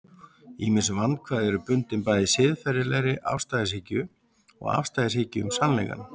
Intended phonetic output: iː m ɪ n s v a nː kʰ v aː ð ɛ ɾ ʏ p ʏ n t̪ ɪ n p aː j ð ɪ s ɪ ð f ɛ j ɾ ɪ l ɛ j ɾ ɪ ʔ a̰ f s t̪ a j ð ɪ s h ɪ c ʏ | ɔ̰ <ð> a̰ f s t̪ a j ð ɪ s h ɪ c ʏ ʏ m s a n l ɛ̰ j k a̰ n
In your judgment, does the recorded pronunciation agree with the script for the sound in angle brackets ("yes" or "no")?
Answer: no